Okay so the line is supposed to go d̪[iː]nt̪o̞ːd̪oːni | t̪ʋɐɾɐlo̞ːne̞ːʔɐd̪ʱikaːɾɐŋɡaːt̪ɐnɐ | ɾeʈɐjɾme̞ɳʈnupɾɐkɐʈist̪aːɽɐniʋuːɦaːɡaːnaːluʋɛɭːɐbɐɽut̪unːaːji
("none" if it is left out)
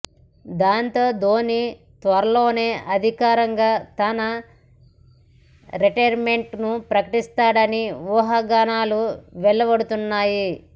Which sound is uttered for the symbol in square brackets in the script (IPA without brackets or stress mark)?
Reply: aː